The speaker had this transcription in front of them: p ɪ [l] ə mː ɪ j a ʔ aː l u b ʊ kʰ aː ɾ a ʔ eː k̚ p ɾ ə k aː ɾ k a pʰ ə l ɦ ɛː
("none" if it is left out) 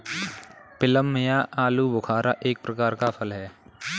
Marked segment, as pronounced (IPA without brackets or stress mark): l